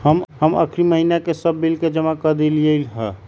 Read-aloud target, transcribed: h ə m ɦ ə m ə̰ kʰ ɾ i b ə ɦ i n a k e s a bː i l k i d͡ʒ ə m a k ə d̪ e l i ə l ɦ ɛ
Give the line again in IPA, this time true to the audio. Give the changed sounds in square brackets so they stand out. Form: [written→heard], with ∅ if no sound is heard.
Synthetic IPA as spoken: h ə m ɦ ə m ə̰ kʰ ɾ i [b→m] ə ɦ i n a k e s [a→ə] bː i l k [i→e] d͡ʒ ə m a k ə d̪ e l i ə l ɦ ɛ